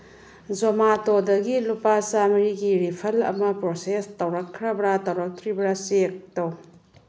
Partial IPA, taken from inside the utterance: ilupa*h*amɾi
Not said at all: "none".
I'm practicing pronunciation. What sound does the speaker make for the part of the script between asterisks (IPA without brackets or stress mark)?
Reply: s